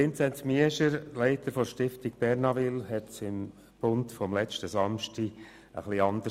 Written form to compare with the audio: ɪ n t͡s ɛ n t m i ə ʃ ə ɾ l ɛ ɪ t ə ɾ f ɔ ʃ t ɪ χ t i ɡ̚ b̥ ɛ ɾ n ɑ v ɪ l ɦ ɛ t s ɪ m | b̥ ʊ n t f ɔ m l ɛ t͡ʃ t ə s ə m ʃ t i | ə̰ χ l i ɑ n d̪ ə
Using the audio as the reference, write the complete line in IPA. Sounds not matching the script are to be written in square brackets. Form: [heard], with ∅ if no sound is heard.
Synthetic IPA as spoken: ɪ n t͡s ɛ n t m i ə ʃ ə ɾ l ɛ ɪ t ə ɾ f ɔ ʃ t ɪ [f] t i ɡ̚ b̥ ɛ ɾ n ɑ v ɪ l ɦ ɛ t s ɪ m | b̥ ʊ n t f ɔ m l ɛ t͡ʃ t ə s [ɑ] m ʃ t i | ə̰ χ l i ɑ n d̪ ə